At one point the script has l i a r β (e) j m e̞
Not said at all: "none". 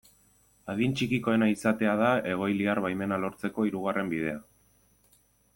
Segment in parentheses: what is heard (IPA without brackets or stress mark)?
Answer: a